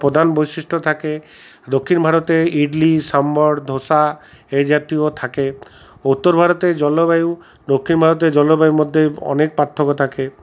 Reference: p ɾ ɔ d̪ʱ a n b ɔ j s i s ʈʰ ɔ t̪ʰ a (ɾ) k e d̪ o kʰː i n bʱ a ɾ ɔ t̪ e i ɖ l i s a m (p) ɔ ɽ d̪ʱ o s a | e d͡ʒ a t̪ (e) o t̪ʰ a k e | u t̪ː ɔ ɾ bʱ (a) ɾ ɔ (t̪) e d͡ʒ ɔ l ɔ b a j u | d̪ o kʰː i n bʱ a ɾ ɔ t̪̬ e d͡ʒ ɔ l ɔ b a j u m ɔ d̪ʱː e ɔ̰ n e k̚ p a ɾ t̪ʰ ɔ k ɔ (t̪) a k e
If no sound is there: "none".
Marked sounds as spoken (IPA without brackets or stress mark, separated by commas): none, b, i, a, t̪, t̪ʰ